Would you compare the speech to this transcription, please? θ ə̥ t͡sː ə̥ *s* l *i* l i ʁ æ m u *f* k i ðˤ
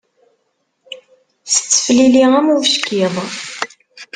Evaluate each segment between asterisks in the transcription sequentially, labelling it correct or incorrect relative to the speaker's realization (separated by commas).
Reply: incorrect, correct, incorrect